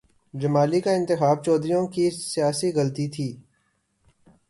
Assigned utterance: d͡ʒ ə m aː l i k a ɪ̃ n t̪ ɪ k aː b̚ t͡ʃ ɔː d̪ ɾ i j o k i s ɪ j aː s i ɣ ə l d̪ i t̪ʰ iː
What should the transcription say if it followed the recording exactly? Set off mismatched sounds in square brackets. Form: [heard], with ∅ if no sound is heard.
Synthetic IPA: d͡ʒ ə m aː l i k a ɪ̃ n t̪ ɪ [x] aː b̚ t͡ʃ ɔː d̪ ɾ i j [õ] k i s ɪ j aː s i ɣ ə l [t̪] i t̪ʰ iː